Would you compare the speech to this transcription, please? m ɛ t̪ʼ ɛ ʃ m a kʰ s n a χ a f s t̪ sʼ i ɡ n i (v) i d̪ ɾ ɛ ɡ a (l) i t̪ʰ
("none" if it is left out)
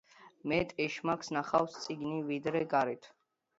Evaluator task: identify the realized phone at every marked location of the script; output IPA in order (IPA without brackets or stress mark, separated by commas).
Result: v, ɾ